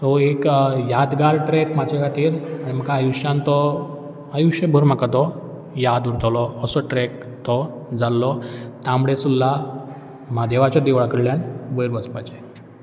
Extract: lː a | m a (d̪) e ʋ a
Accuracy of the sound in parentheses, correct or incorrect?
correct